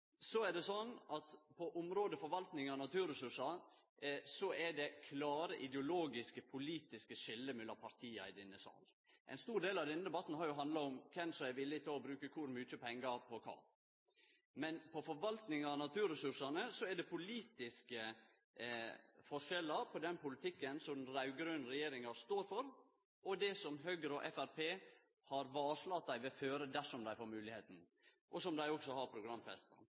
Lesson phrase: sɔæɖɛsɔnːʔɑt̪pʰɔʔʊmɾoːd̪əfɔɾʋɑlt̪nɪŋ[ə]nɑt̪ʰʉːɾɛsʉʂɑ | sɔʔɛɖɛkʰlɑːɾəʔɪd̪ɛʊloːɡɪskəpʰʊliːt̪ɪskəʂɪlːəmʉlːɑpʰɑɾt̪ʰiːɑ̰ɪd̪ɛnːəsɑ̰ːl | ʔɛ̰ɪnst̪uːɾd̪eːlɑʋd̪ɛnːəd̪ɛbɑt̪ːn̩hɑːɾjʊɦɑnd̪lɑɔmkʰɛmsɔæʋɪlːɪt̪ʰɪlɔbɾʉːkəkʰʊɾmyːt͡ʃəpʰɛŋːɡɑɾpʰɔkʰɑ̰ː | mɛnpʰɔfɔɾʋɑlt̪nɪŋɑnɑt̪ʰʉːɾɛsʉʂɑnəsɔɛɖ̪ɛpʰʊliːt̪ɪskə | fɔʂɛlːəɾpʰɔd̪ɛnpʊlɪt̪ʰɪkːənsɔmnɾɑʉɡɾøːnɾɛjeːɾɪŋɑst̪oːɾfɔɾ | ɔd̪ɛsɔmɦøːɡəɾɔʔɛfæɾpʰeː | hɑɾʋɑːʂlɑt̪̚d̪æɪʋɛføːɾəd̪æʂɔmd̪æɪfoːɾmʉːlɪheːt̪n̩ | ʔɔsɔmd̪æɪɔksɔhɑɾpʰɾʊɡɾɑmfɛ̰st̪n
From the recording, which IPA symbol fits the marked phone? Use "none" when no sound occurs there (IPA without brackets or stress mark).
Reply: ɑ